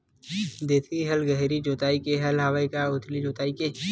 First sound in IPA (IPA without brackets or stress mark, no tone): d̪